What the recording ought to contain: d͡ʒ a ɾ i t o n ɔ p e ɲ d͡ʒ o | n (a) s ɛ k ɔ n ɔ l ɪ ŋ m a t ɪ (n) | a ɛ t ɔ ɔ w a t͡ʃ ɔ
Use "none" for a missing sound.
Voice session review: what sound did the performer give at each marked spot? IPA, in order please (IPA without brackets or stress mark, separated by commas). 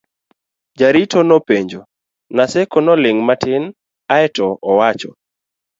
a, n